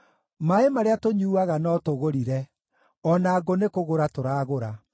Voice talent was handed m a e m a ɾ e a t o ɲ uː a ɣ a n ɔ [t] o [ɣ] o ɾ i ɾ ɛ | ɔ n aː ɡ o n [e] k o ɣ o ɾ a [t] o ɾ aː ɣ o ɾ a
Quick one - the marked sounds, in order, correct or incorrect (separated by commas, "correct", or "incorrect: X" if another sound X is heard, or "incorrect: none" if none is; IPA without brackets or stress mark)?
correct, correct, correct, correct